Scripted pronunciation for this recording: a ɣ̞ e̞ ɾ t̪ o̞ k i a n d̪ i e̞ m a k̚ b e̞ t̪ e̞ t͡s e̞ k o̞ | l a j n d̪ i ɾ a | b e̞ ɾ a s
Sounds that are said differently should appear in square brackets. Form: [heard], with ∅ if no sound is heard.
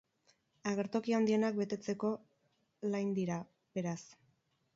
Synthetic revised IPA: a ɣ̞ e̞ ɾ t̪ o̞ k i a n d̪ i e̞ [n] a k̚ b e̞ t̪ e̞ t͡s e̞ k o̞ | l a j n d̪ i ɾ a | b e̞ ɾ a s